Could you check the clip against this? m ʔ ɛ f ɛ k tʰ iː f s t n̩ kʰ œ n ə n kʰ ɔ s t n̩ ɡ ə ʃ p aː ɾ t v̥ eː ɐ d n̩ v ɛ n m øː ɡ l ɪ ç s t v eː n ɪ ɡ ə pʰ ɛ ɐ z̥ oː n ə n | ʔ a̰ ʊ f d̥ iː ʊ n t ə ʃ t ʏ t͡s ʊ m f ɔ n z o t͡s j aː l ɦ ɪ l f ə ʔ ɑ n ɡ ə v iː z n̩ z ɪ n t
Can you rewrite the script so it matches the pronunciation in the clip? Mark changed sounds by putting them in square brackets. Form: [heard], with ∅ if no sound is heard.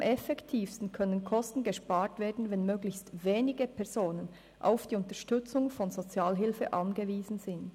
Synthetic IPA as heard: m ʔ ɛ f ɛ k tʰ iː f s t n̩ kʰ œ n ə n kʰ ɔ s t n̩ ɡ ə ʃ p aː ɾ t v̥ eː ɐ d n̩ v ɛ n m øː ɡ l ɪ ç s t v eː n ɪ ɡ ə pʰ ɛ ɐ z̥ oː n ə n | ʔ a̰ ʊ f d̥ iː ʊ n t ə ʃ t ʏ t͡s ʊ [ŋ] f ɔ n z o t͡s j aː l ɦ ɪ l f ə ʔ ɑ n ɡ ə v iː z n̩ z ɪ n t

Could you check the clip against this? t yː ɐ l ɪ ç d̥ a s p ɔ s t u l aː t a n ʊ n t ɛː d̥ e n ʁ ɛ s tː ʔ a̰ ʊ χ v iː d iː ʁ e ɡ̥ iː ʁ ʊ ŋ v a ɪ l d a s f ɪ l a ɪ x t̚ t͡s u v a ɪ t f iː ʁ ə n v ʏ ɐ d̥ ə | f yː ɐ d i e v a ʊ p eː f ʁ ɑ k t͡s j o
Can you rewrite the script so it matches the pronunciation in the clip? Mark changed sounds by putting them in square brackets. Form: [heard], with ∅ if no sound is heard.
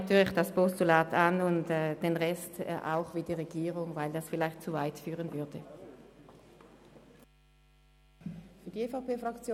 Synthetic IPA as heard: t yː ɐ l ɪ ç d̥ a s p ɔ s t u l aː t a n ʊ n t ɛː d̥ e n ʁ ɛ s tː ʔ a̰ ʊ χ v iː d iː ʁ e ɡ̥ iː ʁ ʊ ŋ v a ɪ l d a s f ɪ l a ɪ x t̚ t͡s u v a ɪ t f [yː] ʁ ə n v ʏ ɐ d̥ ə | f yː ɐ d i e [f] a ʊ p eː f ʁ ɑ k t͡s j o

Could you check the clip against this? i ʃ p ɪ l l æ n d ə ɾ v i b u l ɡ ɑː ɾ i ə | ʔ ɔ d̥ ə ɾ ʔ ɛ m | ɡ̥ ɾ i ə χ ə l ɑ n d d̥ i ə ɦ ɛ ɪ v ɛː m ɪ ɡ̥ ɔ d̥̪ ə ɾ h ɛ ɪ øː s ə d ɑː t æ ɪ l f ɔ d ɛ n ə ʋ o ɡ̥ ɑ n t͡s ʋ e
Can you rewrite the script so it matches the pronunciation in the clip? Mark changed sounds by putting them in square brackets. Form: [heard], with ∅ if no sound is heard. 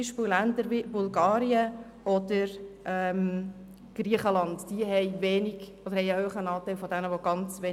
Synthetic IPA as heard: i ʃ p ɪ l l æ n d ə ɾ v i b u l ɡ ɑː ɾ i ə | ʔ ɔ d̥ ə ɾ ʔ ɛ m | ɡ̥ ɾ i ə χ ə l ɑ n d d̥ i ə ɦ ɛ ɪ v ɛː [n] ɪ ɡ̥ ɔ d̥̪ ə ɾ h ɛ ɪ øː [χ] ə [n] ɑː t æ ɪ l f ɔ d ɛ n ə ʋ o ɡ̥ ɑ n t͡s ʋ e

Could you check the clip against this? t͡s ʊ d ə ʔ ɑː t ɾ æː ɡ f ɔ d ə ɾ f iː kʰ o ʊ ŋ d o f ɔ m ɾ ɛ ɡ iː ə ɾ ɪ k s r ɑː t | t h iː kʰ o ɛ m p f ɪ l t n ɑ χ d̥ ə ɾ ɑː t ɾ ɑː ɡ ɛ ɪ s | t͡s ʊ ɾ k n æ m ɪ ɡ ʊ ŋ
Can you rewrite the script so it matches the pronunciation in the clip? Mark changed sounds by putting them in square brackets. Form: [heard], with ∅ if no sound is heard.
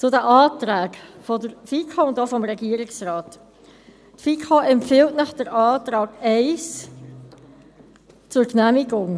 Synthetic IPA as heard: t͡s ʊ d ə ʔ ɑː t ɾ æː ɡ f ɔ d ə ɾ f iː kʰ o ʊ [n] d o f ɔ m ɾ ɛ ɡ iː ə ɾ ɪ k s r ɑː t | t [f] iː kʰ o ɛ m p f ɪ l t n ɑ χ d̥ ə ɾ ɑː t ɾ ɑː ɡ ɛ ɪ s | t͡s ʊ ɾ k n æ m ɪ ɡ ʊ ŋ

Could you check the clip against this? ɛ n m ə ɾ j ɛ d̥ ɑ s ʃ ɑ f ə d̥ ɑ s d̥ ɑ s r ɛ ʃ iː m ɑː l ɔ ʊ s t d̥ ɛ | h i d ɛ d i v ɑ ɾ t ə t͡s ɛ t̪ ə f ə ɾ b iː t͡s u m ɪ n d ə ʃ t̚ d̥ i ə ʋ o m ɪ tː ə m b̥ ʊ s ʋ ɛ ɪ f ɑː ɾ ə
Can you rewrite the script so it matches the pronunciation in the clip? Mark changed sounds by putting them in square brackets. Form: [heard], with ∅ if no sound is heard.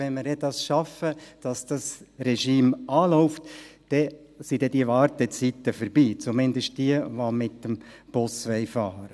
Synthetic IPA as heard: ɛ n m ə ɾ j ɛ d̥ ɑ s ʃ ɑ f ə d̥ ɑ s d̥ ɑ s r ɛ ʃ iː m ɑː l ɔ ʊ [f] t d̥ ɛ | [s] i d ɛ d i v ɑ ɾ t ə t͡s [i] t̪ ə f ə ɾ b iː t͡s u m ɪ n d ə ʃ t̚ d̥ i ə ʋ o m ɪ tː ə m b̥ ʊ s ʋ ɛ ɪ f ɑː ɾ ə

